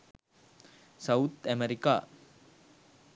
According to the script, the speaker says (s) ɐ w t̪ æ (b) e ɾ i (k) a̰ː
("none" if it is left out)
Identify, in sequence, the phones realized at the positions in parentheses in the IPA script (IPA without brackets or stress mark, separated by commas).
s, m, k